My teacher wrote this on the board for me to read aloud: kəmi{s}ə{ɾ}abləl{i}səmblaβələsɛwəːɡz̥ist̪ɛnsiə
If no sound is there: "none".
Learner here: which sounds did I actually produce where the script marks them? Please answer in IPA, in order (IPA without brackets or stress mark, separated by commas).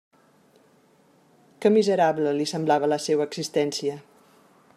z, ɾ, i